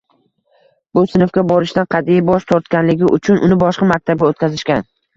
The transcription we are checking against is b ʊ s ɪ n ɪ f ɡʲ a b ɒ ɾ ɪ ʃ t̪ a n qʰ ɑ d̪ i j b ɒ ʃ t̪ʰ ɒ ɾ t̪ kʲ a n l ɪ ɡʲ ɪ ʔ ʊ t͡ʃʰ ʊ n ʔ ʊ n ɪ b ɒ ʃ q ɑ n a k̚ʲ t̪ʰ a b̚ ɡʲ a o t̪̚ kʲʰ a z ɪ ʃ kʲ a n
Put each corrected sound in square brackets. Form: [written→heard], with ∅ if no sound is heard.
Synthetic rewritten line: b ʊ s ɪ n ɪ f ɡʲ a b ɒ ɾ ɪ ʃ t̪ a n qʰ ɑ d̪ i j b ɒ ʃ t̪ʰ ɒ ɾ t̪ kʲ a n l ɪ ɡʲ ɪ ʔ ʊ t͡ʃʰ ʊ n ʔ ʊ n ɪ b ɒ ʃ q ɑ [n→m] a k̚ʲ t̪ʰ a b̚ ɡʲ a o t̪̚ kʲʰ a z ɪ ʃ kʲ a n